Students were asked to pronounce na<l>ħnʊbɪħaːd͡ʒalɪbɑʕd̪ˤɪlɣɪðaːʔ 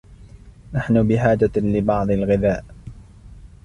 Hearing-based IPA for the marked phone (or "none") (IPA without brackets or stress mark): none